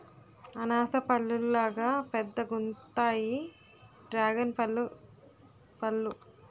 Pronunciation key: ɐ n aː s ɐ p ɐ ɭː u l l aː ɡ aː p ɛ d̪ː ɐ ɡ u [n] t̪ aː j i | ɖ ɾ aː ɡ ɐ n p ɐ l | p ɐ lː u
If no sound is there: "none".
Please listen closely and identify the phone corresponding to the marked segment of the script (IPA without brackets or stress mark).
n